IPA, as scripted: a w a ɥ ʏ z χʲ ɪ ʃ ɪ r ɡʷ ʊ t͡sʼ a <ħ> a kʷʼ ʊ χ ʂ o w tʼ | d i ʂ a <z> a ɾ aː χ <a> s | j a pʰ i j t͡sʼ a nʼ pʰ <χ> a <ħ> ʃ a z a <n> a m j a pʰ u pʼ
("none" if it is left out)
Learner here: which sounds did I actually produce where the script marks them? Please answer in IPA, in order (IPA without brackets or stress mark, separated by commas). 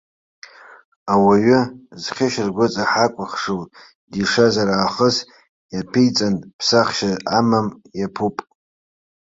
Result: ħ, z, ə, s, χ, m